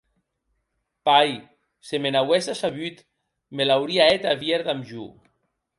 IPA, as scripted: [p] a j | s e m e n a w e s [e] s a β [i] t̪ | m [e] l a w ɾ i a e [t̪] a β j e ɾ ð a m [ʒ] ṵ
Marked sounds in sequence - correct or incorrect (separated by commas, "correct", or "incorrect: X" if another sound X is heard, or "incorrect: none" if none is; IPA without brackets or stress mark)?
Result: correct, incorrect: a, incorrect: y, correct, correct, correct